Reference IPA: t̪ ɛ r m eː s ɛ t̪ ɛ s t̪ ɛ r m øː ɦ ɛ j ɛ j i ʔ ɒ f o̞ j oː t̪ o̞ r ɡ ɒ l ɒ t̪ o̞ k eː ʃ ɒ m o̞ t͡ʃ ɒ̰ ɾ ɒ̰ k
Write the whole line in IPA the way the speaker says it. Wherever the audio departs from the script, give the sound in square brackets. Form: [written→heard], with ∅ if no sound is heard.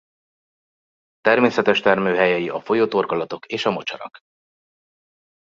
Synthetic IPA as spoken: t̪ ɛ r m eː s ɛ t̪ ɛ [s→ʃ] t̪ ɛ r m øː ɦ ɛ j ɛ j i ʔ ɒ f o̞ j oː t̪ o̞ r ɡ ɒ l ɒ t̪ o̞ k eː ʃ ɒ m o̞ t͡ʃ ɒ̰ ɾ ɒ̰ k